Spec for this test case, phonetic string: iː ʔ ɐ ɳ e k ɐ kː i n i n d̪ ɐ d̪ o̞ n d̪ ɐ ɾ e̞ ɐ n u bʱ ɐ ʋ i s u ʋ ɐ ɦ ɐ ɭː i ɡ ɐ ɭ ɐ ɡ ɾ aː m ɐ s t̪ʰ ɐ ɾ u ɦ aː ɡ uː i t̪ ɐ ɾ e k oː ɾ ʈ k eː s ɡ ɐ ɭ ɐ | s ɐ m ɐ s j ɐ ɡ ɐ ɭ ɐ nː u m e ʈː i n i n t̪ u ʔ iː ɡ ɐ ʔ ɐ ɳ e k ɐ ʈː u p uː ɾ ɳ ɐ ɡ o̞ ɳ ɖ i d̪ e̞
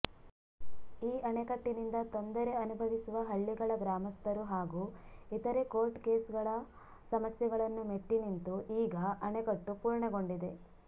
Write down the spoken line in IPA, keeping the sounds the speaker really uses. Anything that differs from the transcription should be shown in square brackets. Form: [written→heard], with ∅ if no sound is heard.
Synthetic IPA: iː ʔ ɐ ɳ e k ɐ [kː→ʈː] i n i n d̪ ɐ [d̪→t̪] o̞ n d̪ ɐ ɾ e̞ ɐ n u bʱ ɐ ʋ i s u ʋ ɐ ɦ ɐ ɭː i ɡ ɐ ɭ ɐ ɡ ɾ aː m ɐ s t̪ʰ ɐ ɾ u ɦ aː ɡ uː i t̪ ɐ ɾ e k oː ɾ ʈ k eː s ɡ ɐ ɭ ɐ | s ɐ m ɐ s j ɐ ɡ ɐ ɭ ɐ nː u m e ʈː i n i n t̪ u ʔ iː ɡ ɐ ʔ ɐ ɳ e k ɐ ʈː u p uː ɾ ɳ ɐ ɡ o̞ ɳ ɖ i d̪ e̞

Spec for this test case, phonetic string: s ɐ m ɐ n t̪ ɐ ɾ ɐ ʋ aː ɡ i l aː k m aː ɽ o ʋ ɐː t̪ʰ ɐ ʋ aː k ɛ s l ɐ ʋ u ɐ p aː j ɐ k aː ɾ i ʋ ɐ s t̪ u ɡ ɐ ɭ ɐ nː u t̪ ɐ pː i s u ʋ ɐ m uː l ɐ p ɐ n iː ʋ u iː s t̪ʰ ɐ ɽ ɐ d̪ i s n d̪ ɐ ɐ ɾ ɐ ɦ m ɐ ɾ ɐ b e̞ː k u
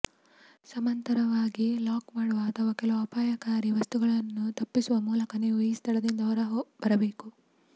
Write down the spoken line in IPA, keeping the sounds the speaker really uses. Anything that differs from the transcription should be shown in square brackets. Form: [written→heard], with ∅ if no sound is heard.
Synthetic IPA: s ɐ m ɐ n t̪ ɐ ɾ ɐ ʋ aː ɡ i l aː k m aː ɽ [o→u] ʋ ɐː t̪ʰ ɐ ʋ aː k ɛ [s→∅] l ɐ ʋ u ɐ p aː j ɐ k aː ɾ i ʋ ɐ s t̪ u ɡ ɐ ɭ ɐ nː u t̪ ɐ pː i s u ʋ ɐ m uː l ɐ [p→k] ɐ n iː ʋ u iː s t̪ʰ ɐ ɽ ɐ d̪ i [s→∅] n d̪ ɐ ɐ ɾ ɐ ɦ [m→b] ɐ ɾ ɐ b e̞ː k u

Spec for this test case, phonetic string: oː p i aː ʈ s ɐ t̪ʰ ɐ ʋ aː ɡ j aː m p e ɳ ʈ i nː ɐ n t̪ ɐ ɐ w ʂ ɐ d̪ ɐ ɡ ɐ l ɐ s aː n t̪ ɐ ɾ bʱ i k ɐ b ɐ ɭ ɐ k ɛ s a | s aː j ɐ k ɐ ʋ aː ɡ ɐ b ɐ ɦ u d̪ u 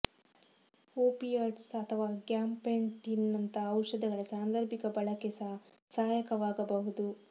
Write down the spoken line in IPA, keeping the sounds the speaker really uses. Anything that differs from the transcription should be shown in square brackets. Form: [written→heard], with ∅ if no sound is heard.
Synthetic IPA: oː p i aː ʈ s ɐ t̪ʰ ɐ ʋ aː ɡ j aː m p e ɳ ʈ i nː ɐ n t̪ ɐ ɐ w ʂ ɐ d̪ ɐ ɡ ɐ [l→ɭ] ɐ s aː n [t̪→d̪] ɐ ɾ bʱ i k ɐ b ɐ ɭ ɐ k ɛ s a | s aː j ɐ k ɐ ʋ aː ɡ ɐ b ɐ ɦ u d̪ u

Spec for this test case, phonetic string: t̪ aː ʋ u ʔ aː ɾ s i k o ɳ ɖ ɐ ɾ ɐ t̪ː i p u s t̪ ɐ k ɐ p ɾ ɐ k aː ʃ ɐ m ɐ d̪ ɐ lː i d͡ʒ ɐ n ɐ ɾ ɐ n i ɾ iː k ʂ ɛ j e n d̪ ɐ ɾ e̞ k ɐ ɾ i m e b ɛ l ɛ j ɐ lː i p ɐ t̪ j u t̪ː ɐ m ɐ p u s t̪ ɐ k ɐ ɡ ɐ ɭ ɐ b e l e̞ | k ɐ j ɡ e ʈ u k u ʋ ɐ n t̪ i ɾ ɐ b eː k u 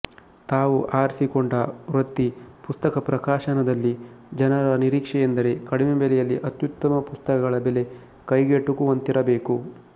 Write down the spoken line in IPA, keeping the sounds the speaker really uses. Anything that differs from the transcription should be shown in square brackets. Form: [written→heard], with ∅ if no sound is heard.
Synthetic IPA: t̪ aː ʋ u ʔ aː ɾ s i k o ɳ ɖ ɐ ɾ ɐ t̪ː i p u s t̪ ɐ k ɐ p ɾ ɐ k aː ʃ ɐ [m→n] ɐ d̪ ɐ lː i d͡ʒ ɐ n ɐ ɾ ɐ n i ɾ iː k ʂ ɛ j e n d̪ ɐ ɾ e̞ k ɐ [ɾ→ɽ] i m e b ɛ l ɛ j ɐ lː i [p→ʔ] ɐ t̪ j u t̪ː ɐ m ɐ p u s t̪ ɐ k ɐ ɡ ɐ ɭ ɐ b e l e̞ | k ɐ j ɡ e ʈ u k u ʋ ɐ n t̪ i ɾ ɐ b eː k u

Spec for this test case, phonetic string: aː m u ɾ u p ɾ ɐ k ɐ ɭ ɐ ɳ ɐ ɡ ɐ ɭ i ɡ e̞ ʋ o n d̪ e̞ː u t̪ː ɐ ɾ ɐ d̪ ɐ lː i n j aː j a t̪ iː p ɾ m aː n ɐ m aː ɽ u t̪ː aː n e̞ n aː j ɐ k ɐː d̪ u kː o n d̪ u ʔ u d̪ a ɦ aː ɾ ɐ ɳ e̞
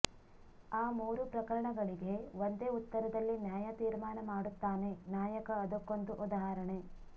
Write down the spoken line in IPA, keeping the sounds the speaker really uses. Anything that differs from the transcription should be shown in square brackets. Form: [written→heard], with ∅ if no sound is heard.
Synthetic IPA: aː m [u→uː] ɾ u p ɾ ɐ k ɐ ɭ ɐ ɳ ɐ ɡ ɐ ɭ i ɡ e̞ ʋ o n d̪ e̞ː u t̪ː ɐ ɾ ɐ d̪ ɐ lː i n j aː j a t̪ iː [p→∅] ɾ m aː n ɐ m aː ɽ u t̪ː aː n e̞ n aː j ɐ k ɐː d̪ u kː o n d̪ u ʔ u d̪ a ɦ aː ɾ ɐ ɳ e̞

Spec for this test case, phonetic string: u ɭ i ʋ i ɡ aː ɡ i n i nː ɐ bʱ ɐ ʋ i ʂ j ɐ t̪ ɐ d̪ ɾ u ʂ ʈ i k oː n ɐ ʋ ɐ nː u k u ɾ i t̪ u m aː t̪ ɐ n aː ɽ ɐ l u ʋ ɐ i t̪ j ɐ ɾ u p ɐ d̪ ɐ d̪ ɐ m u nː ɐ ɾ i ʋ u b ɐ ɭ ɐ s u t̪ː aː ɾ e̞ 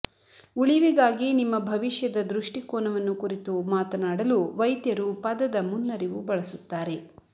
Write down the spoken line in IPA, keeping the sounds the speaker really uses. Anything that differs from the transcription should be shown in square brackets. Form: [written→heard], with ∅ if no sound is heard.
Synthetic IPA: u ɭ i ʋ i ɡ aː ɡ i n i [nː→mː] ɐ bʱ ɐ ʋ i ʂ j ɐ [t̪→d̪] ɐ d̪ ɾ u ʂ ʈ i k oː n ɐ ʋ ɐ nː u k u ɾ i t̪ u m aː t̪ ɐ n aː ɽ ɐ l u ʋ ɐ [i→j] t̪ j ɐ ɾ u p ɐ d̪ ɐ d̪ ɐ m u nː ɐ ɾ i ʋ u b ɐ ɭ ɐ s u t̪ː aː ɾ e̞

